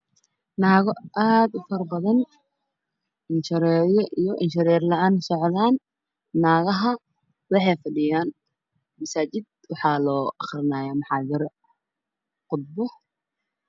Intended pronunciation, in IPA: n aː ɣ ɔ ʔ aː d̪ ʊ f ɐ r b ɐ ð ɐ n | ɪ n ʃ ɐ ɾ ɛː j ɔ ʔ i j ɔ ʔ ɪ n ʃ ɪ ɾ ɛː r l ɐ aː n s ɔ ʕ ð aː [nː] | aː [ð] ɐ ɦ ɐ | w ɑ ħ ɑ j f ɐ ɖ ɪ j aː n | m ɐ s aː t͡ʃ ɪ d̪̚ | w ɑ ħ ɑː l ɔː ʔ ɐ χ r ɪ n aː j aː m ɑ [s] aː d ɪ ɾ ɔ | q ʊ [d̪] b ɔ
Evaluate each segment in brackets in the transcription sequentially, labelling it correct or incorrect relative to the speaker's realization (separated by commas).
correct, incorrect, incorrect, correct